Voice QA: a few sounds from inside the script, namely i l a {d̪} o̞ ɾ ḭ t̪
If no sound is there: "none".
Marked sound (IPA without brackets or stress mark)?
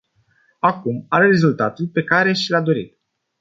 d̪